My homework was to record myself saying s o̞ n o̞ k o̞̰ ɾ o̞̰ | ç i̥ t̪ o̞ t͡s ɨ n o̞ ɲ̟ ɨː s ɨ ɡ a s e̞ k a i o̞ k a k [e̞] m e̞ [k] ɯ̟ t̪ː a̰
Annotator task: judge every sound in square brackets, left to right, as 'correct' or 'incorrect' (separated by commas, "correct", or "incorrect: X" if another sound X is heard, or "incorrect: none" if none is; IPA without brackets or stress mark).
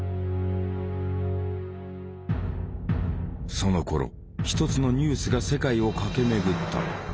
correct, incorrect: ɡ